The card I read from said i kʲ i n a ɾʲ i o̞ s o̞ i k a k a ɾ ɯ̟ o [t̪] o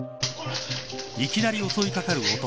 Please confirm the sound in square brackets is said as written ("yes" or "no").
yes